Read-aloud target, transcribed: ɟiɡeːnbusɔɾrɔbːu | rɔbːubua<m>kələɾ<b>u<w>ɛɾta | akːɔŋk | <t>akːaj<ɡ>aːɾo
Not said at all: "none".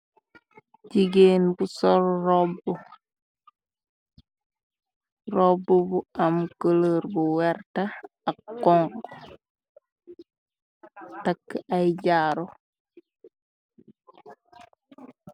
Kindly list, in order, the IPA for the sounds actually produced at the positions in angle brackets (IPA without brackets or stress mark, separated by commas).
m, b, w, t, ɟ